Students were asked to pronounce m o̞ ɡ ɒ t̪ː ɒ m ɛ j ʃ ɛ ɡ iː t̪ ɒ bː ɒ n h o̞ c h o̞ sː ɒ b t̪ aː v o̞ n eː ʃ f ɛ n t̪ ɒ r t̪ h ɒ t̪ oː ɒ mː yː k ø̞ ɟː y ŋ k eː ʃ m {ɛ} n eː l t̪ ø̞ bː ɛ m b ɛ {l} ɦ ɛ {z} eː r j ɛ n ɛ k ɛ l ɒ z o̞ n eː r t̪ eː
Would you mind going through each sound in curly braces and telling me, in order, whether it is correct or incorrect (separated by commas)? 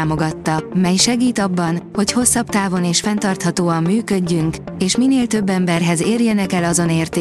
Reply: incorrect, incorrect, correct